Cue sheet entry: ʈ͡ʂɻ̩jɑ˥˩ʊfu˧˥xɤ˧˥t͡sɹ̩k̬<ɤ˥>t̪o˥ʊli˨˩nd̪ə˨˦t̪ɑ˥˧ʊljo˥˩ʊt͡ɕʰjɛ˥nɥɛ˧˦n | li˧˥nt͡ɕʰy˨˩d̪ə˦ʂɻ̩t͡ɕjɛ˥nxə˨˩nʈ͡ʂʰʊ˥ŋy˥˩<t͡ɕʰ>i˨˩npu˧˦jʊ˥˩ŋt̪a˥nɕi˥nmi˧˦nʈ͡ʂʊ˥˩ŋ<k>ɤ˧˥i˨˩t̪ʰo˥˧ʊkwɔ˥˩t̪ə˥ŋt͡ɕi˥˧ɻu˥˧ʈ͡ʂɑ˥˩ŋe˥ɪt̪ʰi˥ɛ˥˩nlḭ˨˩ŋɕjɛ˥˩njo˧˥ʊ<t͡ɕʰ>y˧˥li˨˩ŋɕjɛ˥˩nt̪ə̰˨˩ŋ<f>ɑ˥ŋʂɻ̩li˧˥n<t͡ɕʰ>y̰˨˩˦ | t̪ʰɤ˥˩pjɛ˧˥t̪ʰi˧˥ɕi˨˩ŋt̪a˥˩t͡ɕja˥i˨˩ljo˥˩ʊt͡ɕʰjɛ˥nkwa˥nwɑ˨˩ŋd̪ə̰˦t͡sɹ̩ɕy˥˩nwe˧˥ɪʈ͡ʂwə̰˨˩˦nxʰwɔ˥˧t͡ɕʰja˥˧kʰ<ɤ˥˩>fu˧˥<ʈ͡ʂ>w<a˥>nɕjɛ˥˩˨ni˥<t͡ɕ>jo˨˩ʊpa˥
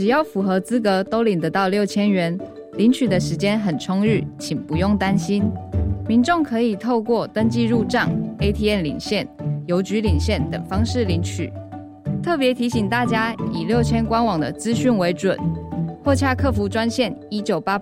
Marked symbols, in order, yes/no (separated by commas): no, yes, no, no, yes, yes, yes, yes, yes, yes